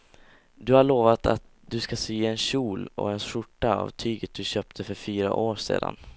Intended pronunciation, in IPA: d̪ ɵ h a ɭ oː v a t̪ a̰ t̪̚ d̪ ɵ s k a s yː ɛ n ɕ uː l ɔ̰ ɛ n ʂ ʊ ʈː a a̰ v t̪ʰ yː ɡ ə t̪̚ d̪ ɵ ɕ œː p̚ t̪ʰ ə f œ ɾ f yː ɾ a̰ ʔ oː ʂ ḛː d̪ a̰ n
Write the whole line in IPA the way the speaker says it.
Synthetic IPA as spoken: d̪ ɵ h a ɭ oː v a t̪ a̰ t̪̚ d̪ ɵ s k a s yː ɛ n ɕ uː l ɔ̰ ɛ n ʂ ʊ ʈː a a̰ v t̪ʰ yː ɡ ə t̪̚ d̪ ɵ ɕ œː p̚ t̪ʰ ə f œ ɾ f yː ɾ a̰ ʔ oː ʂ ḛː d̪ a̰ n